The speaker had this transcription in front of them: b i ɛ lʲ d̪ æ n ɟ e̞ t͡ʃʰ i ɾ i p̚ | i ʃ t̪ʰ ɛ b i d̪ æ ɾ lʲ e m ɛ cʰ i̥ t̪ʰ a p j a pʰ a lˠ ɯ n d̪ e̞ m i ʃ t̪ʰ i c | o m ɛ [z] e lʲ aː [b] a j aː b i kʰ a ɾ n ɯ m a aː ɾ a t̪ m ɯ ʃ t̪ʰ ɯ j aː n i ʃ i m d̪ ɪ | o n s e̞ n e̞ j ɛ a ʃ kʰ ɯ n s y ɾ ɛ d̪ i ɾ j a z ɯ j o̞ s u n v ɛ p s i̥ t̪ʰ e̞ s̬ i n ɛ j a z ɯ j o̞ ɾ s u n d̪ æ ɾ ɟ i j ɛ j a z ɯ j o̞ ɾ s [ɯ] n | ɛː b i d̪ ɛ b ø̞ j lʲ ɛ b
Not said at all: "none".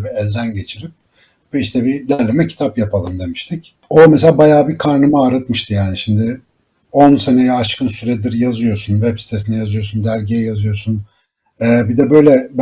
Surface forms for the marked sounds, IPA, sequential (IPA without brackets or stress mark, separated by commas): s, b, u